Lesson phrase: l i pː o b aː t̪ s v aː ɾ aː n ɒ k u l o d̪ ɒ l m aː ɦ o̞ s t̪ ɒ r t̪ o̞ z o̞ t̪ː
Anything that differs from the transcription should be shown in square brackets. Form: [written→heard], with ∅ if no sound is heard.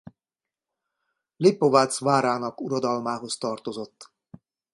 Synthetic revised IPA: l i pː o [b→v] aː t̪ s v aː ɾ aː n ɒ k u [l→ɾ] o d̪ ɒ l m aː ɦ o̞ s t̪ ɒ r t̪ o̞ z o̞ t̪ː